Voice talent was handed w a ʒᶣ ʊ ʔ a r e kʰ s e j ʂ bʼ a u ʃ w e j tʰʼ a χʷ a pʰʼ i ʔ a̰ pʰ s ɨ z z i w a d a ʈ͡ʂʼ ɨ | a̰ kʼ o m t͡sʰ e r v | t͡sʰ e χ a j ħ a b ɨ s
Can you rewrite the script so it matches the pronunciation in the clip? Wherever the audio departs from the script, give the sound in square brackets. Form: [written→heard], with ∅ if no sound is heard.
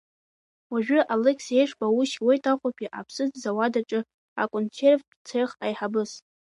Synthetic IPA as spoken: w a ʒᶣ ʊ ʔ a [r→l] e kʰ s e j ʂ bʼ a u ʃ w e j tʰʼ a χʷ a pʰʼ i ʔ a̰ pʰ s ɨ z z [i→a] w a d a ʈ͡ʂʼ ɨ | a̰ kʼ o [m→n] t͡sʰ e r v | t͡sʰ e χ a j ħ a b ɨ s

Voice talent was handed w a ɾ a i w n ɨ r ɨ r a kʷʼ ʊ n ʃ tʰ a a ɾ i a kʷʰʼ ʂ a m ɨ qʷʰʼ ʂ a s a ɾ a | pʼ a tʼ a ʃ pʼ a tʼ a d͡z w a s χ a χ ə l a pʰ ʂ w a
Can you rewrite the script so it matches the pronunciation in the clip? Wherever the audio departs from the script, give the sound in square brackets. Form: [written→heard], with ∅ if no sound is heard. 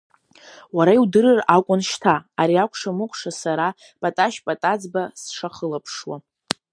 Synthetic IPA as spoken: w a ɾ a i w [n→d] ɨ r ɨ r a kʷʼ ʊ n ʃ tʰ a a ɾ i a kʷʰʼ ʂ a m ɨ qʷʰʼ ʂ a s a ɾ a | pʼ a tʼ a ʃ pʼ a tʼ a d͡z [w→b] a s [χ→ʂ] a χ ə l a pʰ ʂ w a

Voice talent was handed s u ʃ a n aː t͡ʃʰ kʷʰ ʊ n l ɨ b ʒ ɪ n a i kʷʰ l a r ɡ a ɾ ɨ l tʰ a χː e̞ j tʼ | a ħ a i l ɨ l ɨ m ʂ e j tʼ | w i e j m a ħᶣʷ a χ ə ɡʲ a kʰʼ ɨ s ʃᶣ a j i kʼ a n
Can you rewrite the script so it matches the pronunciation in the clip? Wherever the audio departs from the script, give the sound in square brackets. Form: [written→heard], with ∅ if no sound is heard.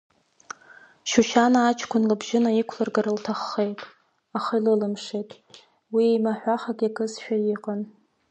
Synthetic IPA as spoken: [s→ʃ] u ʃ a n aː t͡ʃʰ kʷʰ ʊ n l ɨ b ʒ ɪ n a i kʷʰ l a r ɡ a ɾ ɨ l tʰ a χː e̞ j tʼ | a [ħ→χ] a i l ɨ l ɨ m ʂ e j tʼ | w i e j m a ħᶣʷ a χ [ə→a] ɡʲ a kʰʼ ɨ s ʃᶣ a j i [kʼ→qʼ] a n

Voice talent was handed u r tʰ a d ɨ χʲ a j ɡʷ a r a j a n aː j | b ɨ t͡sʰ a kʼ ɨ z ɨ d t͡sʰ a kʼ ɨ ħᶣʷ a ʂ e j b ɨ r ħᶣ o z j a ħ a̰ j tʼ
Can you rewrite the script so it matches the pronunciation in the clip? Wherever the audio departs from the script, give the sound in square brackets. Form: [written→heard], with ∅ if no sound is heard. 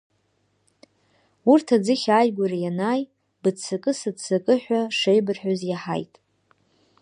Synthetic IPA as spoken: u r tʰ a [d→d͡z] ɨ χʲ a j ɡʷ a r a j a n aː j | b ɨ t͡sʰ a kʼ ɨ [z→s] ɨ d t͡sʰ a kʼ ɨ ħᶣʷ a ʂ e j b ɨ r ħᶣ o z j a ħ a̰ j tʼ

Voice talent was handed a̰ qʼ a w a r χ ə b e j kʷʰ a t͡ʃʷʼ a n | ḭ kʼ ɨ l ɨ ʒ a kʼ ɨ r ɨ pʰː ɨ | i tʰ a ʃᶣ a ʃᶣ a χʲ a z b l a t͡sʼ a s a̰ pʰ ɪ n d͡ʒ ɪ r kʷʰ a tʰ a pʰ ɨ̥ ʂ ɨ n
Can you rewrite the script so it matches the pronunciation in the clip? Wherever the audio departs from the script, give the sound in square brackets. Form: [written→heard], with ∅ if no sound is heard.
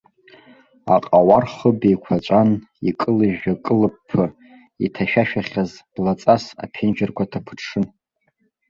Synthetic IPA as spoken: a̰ qʼ a w a r χ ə b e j kʷʰ a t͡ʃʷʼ a n | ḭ kʼ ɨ l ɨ ʒ a kʼ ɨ [r→l] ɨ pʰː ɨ | i tʰ a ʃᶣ a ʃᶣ a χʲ a z b l a t͡sʼ a s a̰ pʰ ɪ n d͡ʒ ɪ r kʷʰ a tʰ a pʰ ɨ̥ ʂ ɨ n

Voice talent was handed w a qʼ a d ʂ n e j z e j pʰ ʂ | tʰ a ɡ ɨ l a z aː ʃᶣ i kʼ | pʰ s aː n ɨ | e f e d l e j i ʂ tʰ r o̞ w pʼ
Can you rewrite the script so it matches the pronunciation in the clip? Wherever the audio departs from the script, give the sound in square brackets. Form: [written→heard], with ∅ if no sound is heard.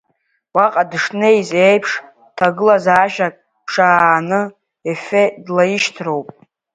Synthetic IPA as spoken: w a qʼ a d ʂ n e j z e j pʰ ʂ | tʰ a ɡ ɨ l a z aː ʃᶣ [i→a] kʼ | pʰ [s→ʂ] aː n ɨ | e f e d l [e→a] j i [ʂ→ʃ] tʰ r o̞ w pʼ

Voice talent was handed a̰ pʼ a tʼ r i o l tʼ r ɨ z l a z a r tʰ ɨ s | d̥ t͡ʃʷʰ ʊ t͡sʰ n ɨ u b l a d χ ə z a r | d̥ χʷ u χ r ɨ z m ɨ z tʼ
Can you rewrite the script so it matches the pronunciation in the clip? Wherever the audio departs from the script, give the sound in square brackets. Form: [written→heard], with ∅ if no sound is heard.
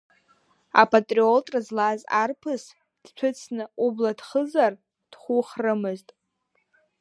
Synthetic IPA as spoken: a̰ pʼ a tʼ r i o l tʼ r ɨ z l a z a r [tʰ→pʰ] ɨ s | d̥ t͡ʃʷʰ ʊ t͡sʰ n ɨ u b l a d χ ə z a r | d̥ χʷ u χ r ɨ [z→∅] m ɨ z tʼ

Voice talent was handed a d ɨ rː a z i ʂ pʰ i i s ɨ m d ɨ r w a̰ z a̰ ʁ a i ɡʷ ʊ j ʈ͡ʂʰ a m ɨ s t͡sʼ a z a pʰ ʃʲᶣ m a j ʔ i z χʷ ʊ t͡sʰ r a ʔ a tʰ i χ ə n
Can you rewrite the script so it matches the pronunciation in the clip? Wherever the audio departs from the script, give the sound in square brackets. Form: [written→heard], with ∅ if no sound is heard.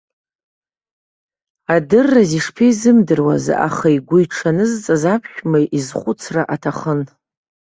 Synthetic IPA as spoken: a d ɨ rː a z i ʂ pʰ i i [s→z] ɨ m d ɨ r w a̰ z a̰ [ʁ→χ] a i ɡʷ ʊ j ʈ͡ʂʰ a [m→n] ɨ [s→z] t͡sʼ a z a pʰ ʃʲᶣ m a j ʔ i z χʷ ʊ t͡sʰ r a ʔ a tʰ [i→a] χ ə n

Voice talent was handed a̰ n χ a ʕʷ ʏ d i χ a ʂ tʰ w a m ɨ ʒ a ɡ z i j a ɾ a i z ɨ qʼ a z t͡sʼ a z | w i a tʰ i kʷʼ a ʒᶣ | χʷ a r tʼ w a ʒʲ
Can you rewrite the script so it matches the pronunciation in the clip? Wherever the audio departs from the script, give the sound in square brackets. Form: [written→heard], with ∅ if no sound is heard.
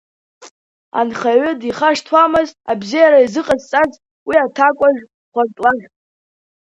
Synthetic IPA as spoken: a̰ n χ a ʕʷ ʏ d i χ a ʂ tʰ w a m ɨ [ʒ→z] a [ɡ→b] z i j a ɾ a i z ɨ qʼ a z t͡sʼ a z | w i a tʰ [i→a] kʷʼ a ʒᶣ | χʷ a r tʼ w a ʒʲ

